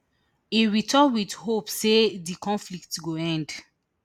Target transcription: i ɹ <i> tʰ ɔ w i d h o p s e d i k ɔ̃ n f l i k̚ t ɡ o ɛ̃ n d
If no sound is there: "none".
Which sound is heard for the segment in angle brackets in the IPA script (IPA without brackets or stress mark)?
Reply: i